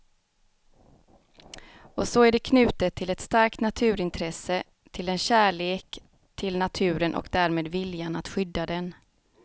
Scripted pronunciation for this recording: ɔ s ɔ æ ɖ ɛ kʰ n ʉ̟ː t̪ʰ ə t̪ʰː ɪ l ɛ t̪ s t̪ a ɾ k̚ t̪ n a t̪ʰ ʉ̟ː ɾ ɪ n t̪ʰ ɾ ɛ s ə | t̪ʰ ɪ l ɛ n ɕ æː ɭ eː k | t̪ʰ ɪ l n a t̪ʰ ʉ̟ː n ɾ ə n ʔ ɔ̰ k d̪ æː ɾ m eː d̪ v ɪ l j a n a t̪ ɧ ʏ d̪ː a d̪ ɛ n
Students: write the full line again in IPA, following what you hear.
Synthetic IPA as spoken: ɔ s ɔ æ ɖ ɛ kʰ n ʉ̟ː t̪ ə t̪ʰː ɪ l ɛ t̪ s t̪ a ɾ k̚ t̪ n a t̪ʰ ʉ̟ː ɾ ɪ n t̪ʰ ɾ ɛ s ə | t̪ʰ ɪ l ɛ n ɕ æː ɭ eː k | t̪ʰ ɪ l n a t̪ʰ ʉ̟ː ɾ ə n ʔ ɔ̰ k d̪ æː ɾ m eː d̪ v ɪ l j a n a t̪ ɧ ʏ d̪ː a d̪ ɛ n